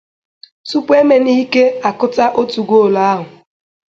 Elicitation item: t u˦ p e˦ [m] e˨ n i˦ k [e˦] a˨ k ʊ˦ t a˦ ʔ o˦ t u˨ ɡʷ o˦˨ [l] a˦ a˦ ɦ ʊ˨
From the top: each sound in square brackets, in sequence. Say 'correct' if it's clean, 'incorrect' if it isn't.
correct, correct, correct

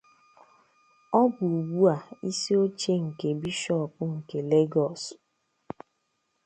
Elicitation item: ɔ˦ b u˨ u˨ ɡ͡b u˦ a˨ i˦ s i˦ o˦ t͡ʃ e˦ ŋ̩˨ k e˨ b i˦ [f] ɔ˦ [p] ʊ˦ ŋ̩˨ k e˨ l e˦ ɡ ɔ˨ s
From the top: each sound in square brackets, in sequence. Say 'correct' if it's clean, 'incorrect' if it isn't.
incorrect: ʃ, correct

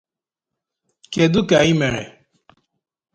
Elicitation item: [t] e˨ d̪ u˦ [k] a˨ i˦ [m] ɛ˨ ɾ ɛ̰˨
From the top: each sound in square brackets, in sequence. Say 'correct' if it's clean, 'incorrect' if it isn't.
incorrect: k, correct, correct

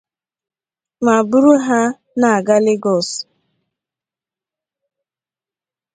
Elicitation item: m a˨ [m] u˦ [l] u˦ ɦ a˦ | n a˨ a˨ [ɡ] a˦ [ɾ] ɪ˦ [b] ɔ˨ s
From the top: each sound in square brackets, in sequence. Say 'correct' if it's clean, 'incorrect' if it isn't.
incorrect: b, incorrect: ɾ, correct, incorrect: l, incorrect: ɡ

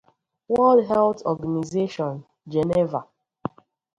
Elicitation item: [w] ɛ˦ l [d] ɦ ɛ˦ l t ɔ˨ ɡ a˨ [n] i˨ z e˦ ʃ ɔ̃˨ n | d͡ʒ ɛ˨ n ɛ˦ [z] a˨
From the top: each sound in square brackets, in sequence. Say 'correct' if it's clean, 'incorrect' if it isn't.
correct, correct, correct, incorrect: v

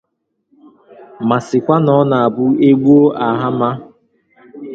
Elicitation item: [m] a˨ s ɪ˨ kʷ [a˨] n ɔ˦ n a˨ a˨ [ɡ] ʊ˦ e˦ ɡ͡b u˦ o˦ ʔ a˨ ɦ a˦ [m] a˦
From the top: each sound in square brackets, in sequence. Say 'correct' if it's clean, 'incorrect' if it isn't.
correct, incorrect: a˦, incorrect: b, correct

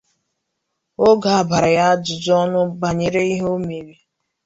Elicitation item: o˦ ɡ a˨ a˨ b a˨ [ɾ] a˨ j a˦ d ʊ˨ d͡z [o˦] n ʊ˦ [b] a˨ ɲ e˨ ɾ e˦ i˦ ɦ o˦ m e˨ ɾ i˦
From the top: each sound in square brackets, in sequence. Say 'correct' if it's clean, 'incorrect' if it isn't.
correct, incorrect: ɔ˦, correct

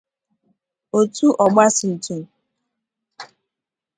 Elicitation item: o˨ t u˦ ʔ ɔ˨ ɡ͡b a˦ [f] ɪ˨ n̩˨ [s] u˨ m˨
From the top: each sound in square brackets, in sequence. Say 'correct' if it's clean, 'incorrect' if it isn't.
incorrect: s, incorrect: t

